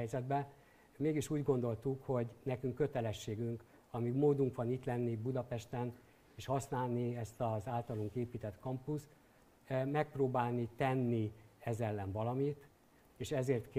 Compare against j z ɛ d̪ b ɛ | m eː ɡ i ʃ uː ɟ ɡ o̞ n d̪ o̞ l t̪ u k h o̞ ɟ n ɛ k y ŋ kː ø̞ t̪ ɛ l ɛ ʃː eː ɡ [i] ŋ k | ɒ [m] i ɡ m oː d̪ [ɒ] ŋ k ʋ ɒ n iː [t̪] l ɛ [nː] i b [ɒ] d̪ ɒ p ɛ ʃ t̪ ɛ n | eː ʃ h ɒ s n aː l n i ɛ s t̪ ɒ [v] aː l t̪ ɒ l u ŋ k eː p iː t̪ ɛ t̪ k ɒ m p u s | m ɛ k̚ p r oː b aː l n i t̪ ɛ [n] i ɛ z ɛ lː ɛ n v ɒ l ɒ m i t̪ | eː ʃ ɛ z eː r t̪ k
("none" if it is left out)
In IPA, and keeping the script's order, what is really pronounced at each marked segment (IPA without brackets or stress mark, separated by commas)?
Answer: y, m, u, t̪, nː, u, z, nː